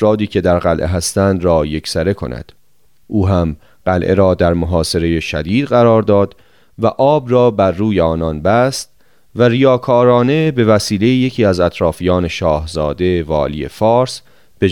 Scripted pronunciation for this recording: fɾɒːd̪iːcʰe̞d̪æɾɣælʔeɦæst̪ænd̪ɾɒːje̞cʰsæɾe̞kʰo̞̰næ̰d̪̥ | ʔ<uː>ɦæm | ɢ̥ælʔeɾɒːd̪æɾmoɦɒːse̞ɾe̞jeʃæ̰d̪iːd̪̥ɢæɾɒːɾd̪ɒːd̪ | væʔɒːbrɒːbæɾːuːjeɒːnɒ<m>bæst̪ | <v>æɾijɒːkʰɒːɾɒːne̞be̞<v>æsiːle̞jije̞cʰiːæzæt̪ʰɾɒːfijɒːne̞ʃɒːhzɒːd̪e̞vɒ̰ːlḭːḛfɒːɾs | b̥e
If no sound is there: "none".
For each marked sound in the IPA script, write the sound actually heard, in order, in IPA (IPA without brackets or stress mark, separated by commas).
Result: uː, n, v, v